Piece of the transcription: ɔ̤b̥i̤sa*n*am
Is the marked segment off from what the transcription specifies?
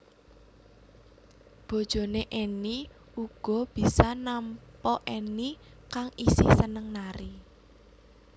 no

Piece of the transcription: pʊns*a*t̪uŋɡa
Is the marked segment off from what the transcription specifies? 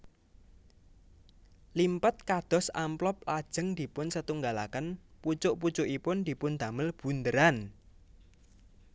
yes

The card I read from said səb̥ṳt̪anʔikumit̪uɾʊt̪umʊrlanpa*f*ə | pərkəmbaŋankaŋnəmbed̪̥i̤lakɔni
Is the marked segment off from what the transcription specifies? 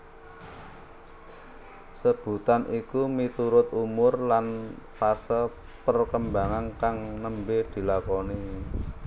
yes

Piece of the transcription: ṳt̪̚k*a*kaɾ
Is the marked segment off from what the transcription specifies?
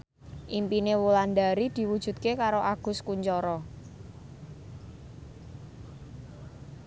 yes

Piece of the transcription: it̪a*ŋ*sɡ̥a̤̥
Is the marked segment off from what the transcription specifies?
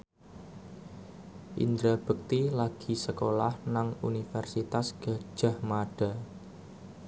yes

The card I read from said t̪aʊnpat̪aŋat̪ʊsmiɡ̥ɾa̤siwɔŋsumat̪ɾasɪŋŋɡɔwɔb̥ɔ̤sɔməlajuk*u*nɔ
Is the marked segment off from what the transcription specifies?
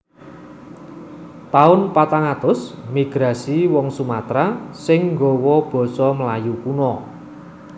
no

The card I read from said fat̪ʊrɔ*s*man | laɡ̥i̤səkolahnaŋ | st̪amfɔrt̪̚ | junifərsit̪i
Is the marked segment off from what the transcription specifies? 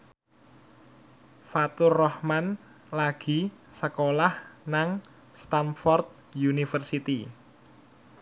yes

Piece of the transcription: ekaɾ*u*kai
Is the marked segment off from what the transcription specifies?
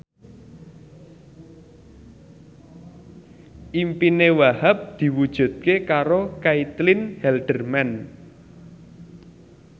yes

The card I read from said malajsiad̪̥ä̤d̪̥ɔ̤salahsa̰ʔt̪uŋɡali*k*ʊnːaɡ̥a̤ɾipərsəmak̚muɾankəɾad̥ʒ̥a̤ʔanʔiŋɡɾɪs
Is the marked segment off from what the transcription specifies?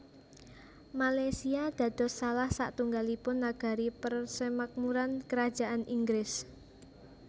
yes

